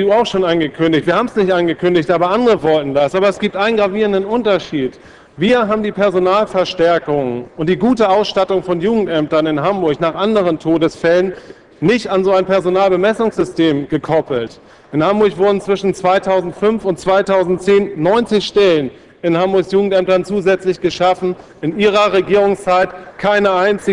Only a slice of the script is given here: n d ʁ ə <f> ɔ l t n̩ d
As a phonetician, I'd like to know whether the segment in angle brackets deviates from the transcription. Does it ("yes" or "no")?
yes